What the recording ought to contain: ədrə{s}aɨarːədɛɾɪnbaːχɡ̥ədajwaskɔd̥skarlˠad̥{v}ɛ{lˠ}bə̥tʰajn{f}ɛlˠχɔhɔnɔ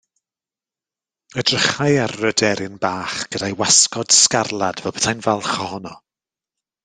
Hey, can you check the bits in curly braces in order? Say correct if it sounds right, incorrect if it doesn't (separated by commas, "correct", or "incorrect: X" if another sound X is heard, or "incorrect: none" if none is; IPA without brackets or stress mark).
incorrect: χ, correct, correct, incorrect: v